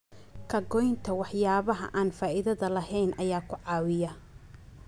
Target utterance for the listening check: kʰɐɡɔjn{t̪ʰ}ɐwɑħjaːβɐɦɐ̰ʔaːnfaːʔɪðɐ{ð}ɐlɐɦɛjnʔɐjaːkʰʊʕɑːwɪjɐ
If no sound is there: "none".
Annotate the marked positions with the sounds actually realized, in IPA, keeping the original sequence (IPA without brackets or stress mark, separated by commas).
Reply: t̪ʰ, ð